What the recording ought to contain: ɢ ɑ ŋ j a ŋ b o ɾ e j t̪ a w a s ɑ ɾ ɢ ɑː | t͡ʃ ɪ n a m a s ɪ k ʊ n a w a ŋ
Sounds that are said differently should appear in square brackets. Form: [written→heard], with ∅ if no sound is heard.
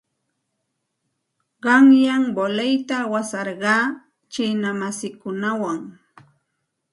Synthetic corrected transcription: ɢ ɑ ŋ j a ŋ b o [ɾ→l] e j t̪ a w a s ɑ ɾ ɢ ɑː | t͡ʃ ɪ n a m a s ɪ k ʊ n a w a ŋ

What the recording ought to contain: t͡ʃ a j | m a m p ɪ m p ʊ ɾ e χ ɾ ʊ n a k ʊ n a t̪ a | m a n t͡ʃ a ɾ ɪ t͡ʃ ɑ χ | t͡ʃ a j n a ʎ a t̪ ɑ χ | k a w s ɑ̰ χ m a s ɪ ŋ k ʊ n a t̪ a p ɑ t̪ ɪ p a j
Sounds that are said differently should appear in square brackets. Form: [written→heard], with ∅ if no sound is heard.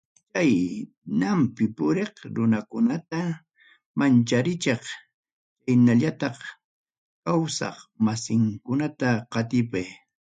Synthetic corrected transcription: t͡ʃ a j | [m→n] a m p ɪ [m→∅] p ʊ ɾ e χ ɾ ʊ n a k ʊ n a t̪ a | m a n t͡ʃ a ɾ ɪ t͡ʃ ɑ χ | t͡ʃ a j n a ʎ a t̪ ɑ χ | k a w s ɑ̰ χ m a s ɪ ŋ k ʊ n a t̪ a [p→q] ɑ t̪ ɪ p a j

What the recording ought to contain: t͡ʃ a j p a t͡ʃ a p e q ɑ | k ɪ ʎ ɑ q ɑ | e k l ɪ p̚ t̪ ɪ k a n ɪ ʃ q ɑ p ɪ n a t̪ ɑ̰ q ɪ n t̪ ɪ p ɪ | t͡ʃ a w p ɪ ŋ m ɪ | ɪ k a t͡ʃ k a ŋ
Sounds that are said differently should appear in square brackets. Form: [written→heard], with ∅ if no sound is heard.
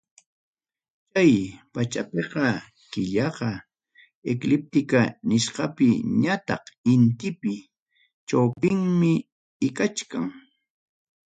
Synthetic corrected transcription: t͡ʃ a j p a t͡ʃ a p e q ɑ | k ɪ ʎ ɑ q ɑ | e k l ɪ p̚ t̪ ɪ k a n ɪ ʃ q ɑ p ɪ [n→ɲ] a t̪ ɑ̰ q ɪ n t̪ ɪ p ɪ | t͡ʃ a w p ɪ ŋ m ɪ | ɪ k a t͡ʃ k a ŋ

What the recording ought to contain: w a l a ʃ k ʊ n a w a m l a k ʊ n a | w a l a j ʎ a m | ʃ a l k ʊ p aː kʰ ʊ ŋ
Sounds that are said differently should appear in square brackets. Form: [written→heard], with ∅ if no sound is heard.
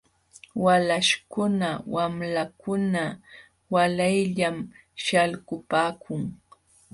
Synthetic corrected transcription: w a l a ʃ k ʊ n a w a m l a k ʊ n a | w a l a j ʎ a m | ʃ a l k ʊ p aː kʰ ʊ ŋ

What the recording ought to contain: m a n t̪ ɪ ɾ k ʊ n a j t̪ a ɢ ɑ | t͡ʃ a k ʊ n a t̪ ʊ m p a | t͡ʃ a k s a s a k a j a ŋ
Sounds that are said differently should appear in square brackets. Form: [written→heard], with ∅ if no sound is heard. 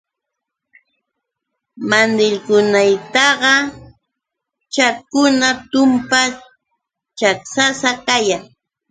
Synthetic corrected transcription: m a n [t̪→d̪] ɪ [ɾ→ʎ] k ʊ n a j t̪ [a→ɑ] ɢ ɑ | t͡ʃ a k ʊ n a t̪ ʊ m p a | t͡ʃ a k s a s a k a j a ŋ

